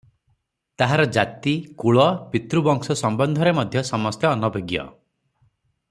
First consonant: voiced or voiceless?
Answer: voiceless